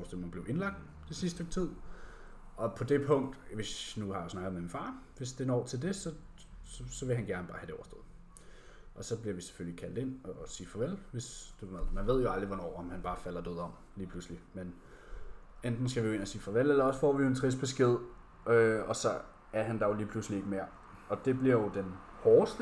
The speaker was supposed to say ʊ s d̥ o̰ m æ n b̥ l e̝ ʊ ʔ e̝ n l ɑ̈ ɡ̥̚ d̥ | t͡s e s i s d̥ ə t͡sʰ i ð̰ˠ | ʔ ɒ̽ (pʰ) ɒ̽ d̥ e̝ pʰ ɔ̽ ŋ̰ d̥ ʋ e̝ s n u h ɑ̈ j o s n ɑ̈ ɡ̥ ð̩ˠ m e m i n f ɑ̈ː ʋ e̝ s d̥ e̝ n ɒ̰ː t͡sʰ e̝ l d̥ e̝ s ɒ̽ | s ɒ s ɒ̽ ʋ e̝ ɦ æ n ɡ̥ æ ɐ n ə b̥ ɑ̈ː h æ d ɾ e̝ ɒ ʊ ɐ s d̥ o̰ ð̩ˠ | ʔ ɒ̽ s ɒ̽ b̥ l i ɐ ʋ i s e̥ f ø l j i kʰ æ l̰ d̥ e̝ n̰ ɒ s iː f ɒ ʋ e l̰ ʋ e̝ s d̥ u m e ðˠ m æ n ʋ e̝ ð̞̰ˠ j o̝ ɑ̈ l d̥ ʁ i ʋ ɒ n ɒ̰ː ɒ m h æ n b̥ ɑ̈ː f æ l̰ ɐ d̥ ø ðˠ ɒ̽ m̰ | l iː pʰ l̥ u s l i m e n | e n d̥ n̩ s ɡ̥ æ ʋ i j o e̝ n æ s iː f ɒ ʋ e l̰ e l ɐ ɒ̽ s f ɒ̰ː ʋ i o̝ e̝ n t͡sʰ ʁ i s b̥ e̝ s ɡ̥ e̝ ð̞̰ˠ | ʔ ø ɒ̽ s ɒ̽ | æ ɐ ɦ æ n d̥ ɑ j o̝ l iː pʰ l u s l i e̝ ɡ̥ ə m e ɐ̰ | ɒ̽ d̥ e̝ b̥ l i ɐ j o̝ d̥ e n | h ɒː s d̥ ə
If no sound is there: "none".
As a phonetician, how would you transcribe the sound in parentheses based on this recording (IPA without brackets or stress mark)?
pʰ